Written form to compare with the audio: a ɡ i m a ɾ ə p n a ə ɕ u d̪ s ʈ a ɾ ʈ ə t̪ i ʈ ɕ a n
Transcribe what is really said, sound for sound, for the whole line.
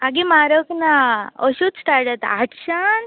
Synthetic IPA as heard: a ɡ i m a ɾ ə k n a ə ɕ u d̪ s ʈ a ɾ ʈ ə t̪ a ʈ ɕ a n